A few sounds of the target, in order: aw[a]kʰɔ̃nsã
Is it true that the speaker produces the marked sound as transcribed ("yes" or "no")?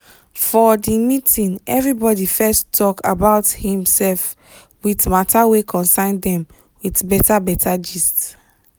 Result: no